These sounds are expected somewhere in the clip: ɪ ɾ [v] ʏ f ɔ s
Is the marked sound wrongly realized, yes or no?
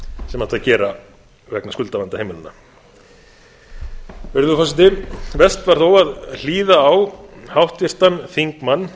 yes